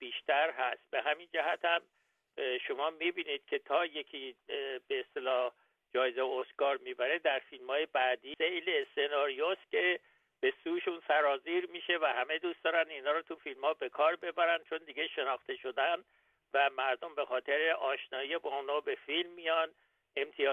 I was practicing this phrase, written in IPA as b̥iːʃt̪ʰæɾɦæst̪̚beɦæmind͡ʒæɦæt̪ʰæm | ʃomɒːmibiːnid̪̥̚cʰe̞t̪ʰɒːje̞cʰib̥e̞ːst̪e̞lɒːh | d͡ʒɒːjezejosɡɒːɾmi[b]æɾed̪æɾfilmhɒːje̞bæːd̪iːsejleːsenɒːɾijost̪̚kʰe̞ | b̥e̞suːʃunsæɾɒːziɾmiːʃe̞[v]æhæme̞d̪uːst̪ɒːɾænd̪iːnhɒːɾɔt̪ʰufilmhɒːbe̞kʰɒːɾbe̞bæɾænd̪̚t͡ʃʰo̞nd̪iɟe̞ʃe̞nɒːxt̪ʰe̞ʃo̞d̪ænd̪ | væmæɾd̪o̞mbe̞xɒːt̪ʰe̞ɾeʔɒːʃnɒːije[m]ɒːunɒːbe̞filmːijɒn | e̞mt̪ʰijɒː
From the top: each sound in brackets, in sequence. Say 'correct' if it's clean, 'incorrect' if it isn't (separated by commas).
correct, correct, incorrect